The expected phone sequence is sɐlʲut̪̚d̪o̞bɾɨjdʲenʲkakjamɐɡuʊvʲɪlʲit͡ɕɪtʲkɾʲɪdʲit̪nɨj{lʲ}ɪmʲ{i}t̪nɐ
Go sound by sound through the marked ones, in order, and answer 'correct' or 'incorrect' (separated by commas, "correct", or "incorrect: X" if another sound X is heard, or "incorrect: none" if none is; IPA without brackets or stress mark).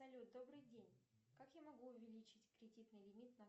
correct, correct